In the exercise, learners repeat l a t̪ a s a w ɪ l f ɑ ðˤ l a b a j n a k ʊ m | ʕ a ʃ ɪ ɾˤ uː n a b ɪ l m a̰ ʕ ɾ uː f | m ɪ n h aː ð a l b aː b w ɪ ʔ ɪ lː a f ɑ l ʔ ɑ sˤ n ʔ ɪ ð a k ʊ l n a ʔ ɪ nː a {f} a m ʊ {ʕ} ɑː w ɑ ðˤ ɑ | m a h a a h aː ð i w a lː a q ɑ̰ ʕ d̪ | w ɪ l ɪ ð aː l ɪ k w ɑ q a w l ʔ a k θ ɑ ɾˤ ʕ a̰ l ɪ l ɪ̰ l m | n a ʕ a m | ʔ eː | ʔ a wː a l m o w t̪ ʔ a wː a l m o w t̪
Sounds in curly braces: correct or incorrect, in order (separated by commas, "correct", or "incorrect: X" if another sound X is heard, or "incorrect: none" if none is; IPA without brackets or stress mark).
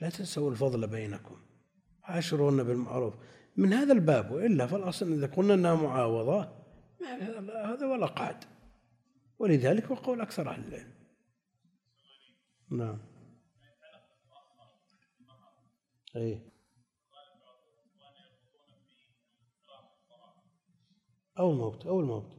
incorrect: h, correct